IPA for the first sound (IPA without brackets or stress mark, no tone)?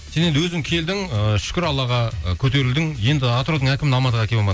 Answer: s